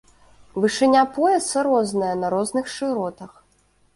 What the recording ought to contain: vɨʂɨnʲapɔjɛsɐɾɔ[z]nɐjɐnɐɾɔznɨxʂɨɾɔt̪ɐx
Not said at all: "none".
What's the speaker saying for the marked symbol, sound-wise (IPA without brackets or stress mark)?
z